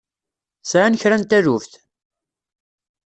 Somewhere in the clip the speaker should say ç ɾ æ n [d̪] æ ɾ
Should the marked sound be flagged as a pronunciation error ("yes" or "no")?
yes